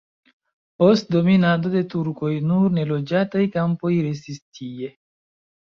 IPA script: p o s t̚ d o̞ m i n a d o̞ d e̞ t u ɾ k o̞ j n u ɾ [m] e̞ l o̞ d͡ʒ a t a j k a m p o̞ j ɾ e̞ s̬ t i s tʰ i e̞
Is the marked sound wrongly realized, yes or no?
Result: yes